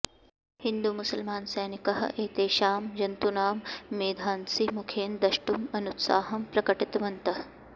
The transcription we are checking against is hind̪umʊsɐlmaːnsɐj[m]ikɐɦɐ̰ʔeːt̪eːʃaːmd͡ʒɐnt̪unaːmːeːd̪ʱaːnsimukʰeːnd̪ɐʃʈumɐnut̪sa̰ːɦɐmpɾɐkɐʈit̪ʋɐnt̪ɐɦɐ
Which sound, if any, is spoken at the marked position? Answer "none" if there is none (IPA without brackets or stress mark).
n